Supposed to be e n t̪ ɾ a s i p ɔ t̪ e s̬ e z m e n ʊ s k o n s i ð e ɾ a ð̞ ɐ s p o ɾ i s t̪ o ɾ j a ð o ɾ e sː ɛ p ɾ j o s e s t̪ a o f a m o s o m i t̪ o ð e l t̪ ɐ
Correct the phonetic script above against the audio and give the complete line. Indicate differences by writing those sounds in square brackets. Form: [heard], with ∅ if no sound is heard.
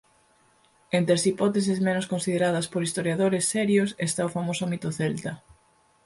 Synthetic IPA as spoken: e n t̪ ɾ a s i p ɔ t̪ e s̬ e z m e n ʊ s k o n s i ð e ɾ a ð̞ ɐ s p o ɾ i s t̪ o ɾ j a ð o ɾ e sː ɛ [∅] ɾ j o s e s t̪ a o f a m o s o m i t̪ o [θ] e l t̪ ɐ

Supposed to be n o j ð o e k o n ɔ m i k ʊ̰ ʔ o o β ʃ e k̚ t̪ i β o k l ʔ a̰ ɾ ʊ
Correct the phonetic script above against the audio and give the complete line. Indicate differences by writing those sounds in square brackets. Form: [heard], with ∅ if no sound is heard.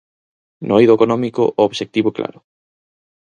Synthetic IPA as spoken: n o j ð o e k o n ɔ m i k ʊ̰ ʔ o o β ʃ e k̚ t̪ i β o k l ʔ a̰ ɾ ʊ

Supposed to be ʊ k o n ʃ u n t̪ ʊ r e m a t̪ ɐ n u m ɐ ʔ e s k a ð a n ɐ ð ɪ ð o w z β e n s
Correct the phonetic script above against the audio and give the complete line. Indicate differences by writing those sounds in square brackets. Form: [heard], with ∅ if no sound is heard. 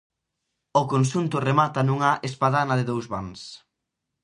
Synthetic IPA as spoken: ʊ k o n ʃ u n t̪ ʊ r e m a t̪ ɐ n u [ŋ] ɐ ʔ e s [p] a ð a n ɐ ð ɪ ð o w z β [a] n s

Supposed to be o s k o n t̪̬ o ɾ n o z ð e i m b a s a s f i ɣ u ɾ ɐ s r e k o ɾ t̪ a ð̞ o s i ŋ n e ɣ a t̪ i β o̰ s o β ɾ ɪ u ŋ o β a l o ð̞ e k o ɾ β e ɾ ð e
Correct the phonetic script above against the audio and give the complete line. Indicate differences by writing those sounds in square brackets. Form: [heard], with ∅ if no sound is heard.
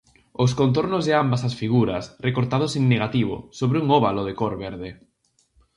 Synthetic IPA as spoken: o s k o n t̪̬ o ɾ n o z ð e [a] m b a s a s f i ɣ u ɾ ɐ s r e k o ɾ t̪ a ð̞ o s [e] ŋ n e ɣ a t̪ i β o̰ s o β ɾ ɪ u ŋ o β a l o ð̞ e k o ɾ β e ɾ ð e

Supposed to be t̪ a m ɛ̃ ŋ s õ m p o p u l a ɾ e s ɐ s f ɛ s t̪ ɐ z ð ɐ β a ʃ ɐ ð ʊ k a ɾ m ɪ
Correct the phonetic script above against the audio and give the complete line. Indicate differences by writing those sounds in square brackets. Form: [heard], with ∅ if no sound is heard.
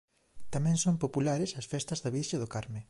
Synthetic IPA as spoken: t̪ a m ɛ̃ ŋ s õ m p o p u l a ɾ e s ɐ s f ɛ s t̪ ɐ z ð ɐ β [i] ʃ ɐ ð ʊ k a ɾ m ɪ

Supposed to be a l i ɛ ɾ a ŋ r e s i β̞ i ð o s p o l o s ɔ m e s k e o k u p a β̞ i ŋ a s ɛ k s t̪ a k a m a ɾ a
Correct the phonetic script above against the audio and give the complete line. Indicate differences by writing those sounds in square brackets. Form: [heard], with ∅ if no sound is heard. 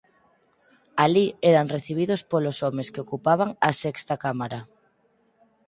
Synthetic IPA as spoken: a l i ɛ ɾ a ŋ r e [θ] i β̞ i ð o s p o l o s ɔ m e s k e o k u p a β̞ [a] ŋ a s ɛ k s t̪ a k a m a ɾ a

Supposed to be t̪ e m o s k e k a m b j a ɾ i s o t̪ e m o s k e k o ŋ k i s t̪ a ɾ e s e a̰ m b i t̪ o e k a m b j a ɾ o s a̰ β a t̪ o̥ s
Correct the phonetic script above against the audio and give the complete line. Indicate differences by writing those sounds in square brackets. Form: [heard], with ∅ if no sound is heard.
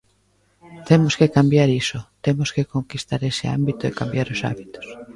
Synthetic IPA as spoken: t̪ e m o s k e k a m b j a ɾ i s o t̪ e m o s k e k o ŋ k i s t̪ a ɾ e s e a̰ m b i t̪ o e k a m b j a ɾ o s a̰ β [i] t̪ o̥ s

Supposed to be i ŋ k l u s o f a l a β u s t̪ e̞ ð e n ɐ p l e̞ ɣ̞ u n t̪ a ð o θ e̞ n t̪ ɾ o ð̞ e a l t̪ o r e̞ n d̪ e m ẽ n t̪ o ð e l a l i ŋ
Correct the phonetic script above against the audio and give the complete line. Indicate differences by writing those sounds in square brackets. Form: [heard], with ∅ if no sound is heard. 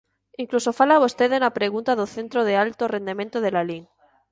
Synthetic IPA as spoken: i ŋ k l u s o f a l a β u s t̪ e̞ ð e n [a] p [ɾ] e̞ ɣ̞ u n t̪ a ð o θ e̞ n t̪ ɾ o ð̞ e a l t̪ o r e̞ n d̪ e m ẽ n t̪ o ð e l a l i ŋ

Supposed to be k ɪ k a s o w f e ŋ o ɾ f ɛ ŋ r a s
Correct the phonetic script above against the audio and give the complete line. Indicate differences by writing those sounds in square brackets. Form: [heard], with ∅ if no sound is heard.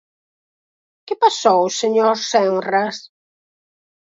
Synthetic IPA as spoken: k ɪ [p] a s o w [s] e [ɲ] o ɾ [s] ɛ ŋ r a s

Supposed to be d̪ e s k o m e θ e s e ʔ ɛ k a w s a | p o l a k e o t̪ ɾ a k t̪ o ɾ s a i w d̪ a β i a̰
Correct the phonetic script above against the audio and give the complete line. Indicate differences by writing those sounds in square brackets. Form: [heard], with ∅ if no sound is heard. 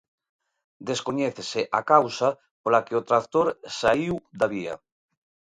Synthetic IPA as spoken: d̪ e s k o [ɲ] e θ e s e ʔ [a] k a w s a | p o l a k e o t̪ ɾ a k t̪ o ɾ s a i w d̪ a β i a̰

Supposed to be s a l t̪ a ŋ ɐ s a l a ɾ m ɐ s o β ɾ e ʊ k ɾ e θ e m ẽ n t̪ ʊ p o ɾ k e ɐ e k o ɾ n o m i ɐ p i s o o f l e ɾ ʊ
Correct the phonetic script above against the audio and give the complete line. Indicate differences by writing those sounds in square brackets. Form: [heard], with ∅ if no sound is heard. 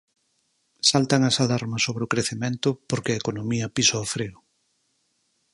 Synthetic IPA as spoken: s a l t̪ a ŋ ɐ s a l a ɾ m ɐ s o β ɾ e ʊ k ɾ e θ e m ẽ n t̪ ʊ p o ɾ k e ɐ e k o [∅] n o m i ɐ p i s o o f [ɾ] e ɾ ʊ

